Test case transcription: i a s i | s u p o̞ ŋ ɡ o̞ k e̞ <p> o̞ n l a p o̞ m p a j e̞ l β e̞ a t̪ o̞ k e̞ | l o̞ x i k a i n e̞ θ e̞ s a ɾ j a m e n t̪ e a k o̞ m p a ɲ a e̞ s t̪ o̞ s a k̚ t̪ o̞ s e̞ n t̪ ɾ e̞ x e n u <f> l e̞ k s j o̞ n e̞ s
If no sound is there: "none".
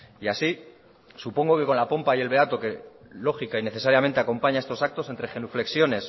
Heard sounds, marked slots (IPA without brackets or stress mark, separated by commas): k, f